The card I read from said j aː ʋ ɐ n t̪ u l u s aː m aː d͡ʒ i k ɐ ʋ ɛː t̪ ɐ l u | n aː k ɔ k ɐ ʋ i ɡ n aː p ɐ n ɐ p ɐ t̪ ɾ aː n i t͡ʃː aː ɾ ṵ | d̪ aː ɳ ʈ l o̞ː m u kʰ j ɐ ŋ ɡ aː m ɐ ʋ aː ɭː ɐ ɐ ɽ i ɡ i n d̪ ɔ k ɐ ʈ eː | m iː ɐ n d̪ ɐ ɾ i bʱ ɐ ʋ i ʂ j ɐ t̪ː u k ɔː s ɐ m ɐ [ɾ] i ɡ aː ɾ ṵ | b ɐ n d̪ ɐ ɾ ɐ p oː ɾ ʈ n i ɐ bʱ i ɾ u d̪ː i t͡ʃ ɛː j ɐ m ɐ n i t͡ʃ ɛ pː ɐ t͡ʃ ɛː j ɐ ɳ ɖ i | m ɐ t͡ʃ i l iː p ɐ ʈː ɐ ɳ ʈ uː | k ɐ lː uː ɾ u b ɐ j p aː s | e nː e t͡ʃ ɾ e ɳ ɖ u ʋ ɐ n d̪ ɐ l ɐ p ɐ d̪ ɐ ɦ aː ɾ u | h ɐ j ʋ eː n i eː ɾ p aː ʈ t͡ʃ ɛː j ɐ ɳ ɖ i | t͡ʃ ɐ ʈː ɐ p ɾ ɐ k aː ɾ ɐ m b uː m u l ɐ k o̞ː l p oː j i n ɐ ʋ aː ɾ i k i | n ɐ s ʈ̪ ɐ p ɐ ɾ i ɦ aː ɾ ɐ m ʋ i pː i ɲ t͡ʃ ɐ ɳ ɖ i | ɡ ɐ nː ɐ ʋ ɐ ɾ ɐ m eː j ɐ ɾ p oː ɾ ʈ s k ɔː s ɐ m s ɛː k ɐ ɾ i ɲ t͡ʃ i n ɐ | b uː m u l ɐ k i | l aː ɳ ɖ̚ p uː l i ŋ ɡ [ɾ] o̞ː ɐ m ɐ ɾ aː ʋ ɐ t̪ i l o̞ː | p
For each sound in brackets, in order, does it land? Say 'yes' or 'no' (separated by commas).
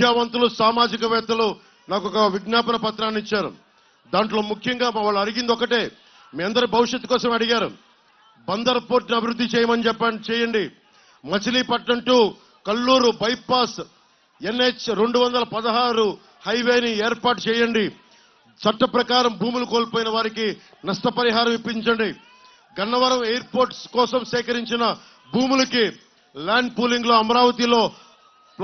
no, no